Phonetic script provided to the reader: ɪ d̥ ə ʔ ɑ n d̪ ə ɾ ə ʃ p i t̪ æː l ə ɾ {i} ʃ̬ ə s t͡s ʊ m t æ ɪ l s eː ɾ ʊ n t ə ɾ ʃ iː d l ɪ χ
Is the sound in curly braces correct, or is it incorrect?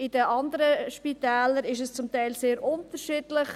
incorrect